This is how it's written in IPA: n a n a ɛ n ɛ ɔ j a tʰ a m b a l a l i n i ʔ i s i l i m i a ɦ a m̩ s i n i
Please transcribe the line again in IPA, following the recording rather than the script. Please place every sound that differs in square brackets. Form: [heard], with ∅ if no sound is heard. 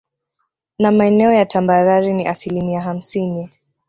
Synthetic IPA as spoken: n a [m] a ɛ n ɛ ɔ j a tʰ a m b a [ɾ] a [ɾ] i n i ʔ [a] s i l i m i a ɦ a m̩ s i n i